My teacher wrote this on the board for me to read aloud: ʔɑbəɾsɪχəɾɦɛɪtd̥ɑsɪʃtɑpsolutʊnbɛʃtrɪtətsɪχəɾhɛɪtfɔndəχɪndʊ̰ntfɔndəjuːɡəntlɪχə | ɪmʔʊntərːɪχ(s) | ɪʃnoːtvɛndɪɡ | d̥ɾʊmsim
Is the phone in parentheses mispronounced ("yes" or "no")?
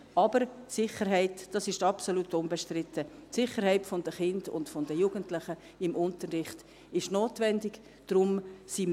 yes